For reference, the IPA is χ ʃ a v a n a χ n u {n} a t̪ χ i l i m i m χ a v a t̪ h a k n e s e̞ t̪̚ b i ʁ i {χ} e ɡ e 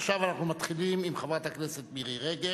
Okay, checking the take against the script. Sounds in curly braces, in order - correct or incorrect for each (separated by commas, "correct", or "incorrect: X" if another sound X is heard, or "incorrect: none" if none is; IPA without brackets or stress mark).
incorrect: m, incorrect: ʁ